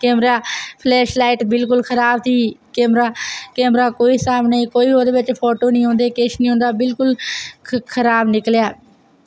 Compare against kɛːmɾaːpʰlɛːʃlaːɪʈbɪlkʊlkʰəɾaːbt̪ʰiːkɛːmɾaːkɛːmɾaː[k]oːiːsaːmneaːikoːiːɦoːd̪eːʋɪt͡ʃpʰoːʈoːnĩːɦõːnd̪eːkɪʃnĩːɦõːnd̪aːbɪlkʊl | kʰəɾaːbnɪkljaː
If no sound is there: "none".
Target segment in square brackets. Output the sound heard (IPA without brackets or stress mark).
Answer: k